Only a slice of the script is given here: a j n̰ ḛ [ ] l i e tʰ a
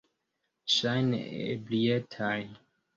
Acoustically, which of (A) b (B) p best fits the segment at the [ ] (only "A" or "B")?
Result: A